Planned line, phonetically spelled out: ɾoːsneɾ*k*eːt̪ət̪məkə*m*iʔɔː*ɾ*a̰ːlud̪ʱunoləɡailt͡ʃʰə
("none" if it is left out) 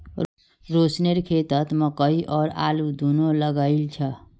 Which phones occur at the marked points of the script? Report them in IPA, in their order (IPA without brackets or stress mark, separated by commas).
kʰ, none, ɾ